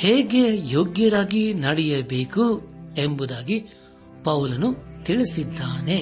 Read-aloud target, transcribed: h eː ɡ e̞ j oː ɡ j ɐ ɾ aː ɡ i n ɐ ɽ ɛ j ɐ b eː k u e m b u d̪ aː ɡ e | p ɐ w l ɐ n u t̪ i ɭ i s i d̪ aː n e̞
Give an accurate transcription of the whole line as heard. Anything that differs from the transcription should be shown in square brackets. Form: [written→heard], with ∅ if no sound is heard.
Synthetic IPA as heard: h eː ɡ e̞ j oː ɡ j ɐ ɾ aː ɡ i n ɐ ɽ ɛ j ɐ b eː k u e m b u d̪ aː ɡ [e→i] | p ɐ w l ɐ n u t̪ i ɭ i s i [d̪→d̪ː] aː n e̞